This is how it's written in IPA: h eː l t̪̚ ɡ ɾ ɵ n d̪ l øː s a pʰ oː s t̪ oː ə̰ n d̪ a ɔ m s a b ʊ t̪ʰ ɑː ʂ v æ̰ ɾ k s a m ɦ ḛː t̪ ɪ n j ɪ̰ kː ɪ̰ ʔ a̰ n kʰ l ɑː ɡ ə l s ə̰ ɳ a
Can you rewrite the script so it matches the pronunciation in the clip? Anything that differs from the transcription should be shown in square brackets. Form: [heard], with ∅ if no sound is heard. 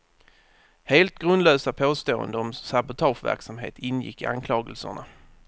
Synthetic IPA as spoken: h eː l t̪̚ ɡ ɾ ɵ n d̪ l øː s a pʰ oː s t̪ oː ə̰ n d̪ [ə] ɔ m s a b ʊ t̪ʰ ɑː ʂ v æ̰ ɾ k s a m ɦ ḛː t̪ ɪ n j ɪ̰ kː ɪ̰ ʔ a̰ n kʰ l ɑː ɡ ə l s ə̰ ɳ a

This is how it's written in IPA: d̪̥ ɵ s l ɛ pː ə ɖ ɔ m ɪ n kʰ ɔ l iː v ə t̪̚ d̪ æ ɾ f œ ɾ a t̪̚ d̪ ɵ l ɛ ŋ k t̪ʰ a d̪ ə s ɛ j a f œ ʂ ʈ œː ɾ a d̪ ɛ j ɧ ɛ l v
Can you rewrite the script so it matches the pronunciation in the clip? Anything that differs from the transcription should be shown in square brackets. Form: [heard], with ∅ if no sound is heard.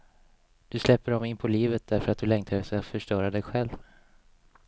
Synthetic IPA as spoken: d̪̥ ɵ s l ɛ pː ə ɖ ɔ m ɪ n [pʰ] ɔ l iː v ə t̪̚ d̪ æ ɾ f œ ɾ a t̪̚ d̪ ɵ l ɛ ŋ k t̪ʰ a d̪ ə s ɛ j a f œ ʂ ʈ œː ɾ a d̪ ɛ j ɧ ɛ l v

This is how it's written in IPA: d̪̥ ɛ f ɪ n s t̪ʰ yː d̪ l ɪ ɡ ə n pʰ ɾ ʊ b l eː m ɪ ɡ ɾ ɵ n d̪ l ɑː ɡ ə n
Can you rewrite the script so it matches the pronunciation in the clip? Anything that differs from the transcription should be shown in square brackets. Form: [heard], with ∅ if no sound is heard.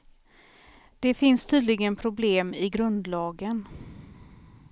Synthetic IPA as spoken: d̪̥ ɛ f ɪ n s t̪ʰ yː d̪ l ɪ ɡ ə n pʰ ɾ ʊ b l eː m ɪ ɡ ɾ ɵ n d̪ l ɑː ɡ ə n

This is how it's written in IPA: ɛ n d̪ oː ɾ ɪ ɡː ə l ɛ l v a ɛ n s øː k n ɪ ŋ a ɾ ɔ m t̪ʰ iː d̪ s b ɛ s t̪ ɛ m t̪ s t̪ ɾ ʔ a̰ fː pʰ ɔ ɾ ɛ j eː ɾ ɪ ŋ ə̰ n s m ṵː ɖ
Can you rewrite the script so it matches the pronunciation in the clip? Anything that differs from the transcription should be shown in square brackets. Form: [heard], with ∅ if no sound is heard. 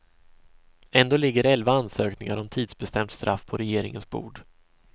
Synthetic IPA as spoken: ɛ n d̪ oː [l] ɪ ɡː ə [ɾ] ɛ l v a [a] n s øː k n ɪ ŋ a ɾ ɔ m t̪ʰ iː d̪ s b ɛ s t̪ ɛ m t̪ s t̪ ɾ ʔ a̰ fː pʰ ɔ ɾ ɛ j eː ɾ ɪ ŋ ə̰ n s [b] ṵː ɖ

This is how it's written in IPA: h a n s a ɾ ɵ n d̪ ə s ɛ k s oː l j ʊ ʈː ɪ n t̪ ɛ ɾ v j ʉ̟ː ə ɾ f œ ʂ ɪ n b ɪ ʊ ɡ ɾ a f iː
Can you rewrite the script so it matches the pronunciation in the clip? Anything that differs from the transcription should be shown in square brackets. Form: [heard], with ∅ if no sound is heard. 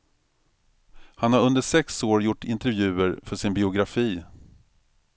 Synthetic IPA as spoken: h a n [h] a ɾ ɵ n d̪ ə [ʂ] ɛ k s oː [ɾ] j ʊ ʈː ɪ n t̪ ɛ ɾ v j ʉ̟ː ə ɾ f œ ʂ ɪ n b ɪ ʊ ɡ ɾ a f iː

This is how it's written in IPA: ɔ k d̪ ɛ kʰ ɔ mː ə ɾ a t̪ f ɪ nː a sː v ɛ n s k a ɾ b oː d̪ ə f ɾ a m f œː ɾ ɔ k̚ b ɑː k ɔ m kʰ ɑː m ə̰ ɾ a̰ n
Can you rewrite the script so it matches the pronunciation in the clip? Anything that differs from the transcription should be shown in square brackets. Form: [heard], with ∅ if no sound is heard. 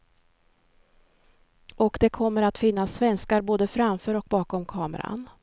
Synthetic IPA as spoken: ɔ k d̪ ɛ kʰ ɔ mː ə ɾ a t̪ f ɪ nː a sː v ɛ n s k a ɾ b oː d̪ ə f ɾ a m f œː ɾ ɔ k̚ b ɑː k ɔ m kʰ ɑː m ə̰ ɾ a̰ n

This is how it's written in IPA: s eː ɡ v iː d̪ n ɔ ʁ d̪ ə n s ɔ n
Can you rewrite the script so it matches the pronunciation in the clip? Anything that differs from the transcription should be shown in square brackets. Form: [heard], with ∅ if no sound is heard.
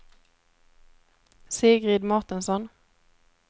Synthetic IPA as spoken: s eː ɡ [ʁ] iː d̪ [m] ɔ ʁ [t̪] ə n s ɔ n

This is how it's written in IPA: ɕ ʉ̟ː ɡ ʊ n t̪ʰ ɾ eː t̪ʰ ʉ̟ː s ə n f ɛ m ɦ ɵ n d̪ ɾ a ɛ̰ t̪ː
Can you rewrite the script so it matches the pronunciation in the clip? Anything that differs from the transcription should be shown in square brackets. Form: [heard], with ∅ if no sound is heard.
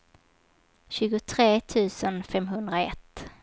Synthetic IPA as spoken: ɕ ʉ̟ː ɡ ʊ [∅] t̪ʰ ɾ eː t̪ʰ ʉ̟ː s ə n f ɛ m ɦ ɵ n d̪ ɾ a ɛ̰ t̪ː

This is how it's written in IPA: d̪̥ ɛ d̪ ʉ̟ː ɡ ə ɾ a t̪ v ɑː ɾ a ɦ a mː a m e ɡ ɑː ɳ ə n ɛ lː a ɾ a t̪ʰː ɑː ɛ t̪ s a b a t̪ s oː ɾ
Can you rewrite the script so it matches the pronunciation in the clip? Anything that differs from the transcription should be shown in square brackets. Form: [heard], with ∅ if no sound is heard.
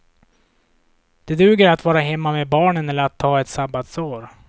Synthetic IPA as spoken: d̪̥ ɛ d̪ ʉ̟ː ɡ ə ɾ a t̪ v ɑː ɾ a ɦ [ɛ] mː a m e [b] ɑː ɳ ə n ɛ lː [ə] ɾ a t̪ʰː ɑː ɛ t̪ s a b a t̪ s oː ɾ

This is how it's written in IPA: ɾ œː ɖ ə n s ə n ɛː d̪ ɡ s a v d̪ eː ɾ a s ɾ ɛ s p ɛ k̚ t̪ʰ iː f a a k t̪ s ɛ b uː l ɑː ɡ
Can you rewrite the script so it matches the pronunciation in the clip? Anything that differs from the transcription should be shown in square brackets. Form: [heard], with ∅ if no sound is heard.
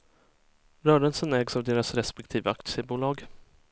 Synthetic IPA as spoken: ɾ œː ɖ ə n s ə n ɛː [∅] ɡ s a v d̪ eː ɾ a s ɾ ɛ s p ɛ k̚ t̪ʰ iː [v] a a k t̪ s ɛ b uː l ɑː ɡ

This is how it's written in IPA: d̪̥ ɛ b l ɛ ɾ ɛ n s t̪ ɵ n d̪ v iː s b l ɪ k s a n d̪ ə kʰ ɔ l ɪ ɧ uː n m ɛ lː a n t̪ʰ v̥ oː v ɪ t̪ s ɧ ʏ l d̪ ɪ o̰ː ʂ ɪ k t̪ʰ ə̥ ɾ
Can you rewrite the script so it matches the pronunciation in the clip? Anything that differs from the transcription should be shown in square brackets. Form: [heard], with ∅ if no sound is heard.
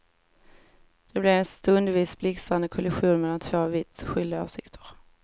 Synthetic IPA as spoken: d̪̥ ɛ b l ɛ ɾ ɛ n s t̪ ɵ n d̪ v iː s b l ɪ k s a n d̪ ə kʰ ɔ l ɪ ɧ uː n m ɛ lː a n t̪ʰ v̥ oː v ɪ t̪ s ɧ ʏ l d̪ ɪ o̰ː ʂ ɪ k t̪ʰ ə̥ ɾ

